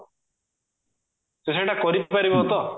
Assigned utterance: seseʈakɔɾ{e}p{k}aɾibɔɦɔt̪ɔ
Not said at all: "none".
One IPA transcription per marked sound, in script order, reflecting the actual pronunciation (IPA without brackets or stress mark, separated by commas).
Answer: i, p